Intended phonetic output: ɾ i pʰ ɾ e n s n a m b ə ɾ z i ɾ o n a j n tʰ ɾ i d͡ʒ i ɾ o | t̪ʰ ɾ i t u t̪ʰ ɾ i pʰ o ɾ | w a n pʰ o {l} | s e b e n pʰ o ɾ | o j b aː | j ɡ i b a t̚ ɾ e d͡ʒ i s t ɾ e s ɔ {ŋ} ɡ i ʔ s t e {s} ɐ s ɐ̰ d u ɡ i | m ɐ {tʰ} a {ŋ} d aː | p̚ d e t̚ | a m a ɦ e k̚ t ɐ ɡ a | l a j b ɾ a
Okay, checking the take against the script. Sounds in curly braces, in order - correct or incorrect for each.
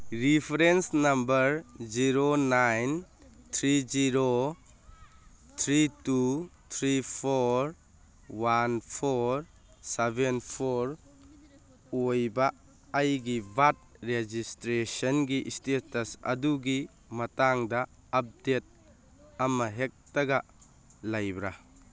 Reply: incorrect: ɾ, incorrect: n, incorrect: t, incorrect: t, correct

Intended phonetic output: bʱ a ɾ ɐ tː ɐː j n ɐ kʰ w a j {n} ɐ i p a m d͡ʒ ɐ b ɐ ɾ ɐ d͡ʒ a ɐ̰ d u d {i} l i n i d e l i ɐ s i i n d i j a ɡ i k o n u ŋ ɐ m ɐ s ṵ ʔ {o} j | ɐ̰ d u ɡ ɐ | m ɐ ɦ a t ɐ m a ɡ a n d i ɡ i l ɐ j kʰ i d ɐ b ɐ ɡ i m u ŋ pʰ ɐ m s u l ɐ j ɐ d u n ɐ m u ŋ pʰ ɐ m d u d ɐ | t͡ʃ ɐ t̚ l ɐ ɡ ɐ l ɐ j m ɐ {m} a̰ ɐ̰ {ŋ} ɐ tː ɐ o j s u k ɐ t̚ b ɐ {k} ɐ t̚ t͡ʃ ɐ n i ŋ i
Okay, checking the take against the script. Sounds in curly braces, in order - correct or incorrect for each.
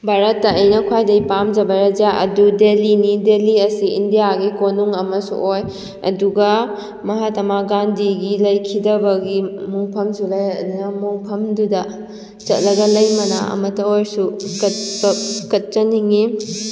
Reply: incorrect: d, incorrect: e, correct, incorrect: n, incorrect: m, correct

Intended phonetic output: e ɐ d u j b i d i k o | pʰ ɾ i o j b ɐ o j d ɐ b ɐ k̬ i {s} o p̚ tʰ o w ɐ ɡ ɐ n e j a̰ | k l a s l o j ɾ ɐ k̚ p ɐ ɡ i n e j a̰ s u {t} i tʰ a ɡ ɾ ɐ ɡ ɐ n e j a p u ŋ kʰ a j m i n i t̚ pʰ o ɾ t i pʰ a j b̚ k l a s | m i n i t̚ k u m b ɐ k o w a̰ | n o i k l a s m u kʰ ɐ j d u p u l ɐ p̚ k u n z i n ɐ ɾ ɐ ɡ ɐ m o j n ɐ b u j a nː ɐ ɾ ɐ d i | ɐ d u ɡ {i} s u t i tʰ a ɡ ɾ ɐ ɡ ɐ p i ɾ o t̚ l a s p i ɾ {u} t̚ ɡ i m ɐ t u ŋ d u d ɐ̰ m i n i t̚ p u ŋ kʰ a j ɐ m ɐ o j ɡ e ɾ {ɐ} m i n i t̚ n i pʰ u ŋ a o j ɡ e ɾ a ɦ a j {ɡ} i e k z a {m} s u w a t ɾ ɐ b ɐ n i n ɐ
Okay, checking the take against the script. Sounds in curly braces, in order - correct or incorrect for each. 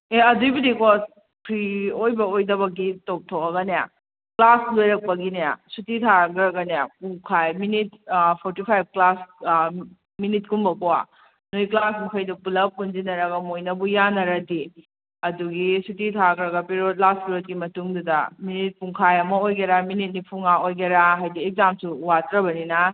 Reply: incorrect: t, correct, correct, incorrect: o, incorrect: a, incorrect: d, correct

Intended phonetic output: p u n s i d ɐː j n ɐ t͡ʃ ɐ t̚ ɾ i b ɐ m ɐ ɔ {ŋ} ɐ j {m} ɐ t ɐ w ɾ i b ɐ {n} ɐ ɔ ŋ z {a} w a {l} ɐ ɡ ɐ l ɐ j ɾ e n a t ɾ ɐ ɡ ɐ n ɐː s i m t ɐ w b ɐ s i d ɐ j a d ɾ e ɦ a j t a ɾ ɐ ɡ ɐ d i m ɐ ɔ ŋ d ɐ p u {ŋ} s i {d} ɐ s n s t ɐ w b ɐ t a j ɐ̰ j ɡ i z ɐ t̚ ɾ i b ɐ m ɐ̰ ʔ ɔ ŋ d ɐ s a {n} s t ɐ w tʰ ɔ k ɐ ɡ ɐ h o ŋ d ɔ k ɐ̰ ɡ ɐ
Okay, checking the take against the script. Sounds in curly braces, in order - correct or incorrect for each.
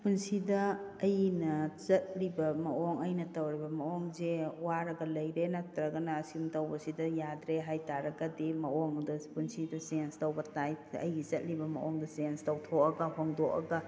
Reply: correct, incorrect: n, incorrect: m, incorrect: e, incorrect: ɾ, incorrect: n, correct, correct

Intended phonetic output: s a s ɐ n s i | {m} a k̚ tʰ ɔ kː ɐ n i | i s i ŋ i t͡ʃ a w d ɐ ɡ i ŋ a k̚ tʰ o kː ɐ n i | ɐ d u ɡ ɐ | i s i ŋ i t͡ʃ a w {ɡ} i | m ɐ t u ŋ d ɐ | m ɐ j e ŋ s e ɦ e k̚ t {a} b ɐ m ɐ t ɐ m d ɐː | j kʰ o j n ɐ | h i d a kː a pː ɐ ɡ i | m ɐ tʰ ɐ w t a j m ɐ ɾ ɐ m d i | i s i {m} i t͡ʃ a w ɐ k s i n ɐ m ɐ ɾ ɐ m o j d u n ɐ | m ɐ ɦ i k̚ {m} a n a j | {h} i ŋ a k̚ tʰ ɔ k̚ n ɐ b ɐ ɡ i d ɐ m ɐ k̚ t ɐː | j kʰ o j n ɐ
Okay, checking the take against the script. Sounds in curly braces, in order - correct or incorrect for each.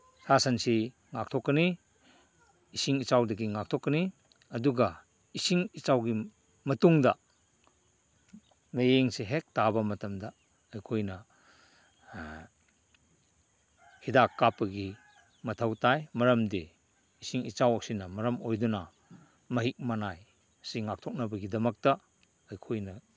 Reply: incorrect: ŋ, correct, correct, incorrect: ŋ, correct, incorrect: s

